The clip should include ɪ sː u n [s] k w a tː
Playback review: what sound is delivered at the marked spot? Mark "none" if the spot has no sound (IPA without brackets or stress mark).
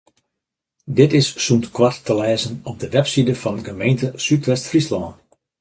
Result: t